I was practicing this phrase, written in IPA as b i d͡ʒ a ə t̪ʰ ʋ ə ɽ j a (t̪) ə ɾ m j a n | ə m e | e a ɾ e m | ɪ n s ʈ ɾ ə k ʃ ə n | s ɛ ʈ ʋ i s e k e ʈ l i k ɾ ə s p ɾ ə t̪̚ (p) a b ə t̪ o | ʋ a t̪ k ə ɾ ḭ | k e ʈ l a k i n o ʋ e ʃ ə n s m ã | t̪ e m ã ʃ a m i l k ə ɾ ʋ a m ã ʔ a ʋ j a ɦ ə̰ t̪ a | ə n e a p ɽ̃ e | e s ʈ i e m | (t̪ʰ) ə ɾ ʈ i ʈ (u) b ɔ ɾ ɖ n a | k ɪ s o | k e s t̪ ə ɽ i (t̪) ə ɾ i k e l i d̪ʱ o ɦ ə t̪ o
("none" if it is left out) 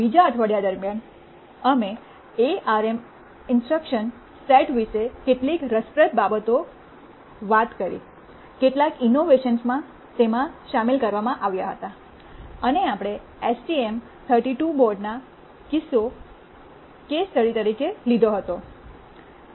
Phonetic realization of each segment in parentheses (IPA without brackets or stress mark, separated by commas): d̪, b, t̪ʰ, u, t̪